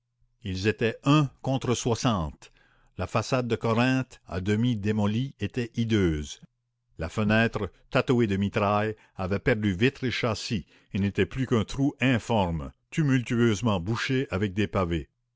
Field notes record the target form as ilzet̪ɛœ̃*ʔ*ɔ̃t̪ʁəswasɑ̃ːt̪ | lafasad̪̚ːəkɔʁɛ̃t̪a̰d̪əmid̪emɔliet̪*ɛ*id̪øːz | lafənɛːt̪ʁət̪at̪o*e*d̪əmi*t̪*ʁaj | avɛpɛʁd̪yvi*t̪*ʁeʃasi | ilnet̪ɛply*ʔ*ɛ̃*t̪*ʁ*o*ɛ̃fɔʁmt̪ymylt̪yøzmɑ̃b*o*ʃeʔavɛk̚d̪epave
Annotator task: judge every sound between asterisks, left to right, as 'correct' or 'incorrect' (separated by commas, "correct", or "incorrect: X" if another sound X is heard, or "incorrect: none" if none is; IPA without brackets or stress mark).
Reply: incorrect: k, correct, correct, correct, correct, incorrect: k, correct, incorrect: u, incorrect: u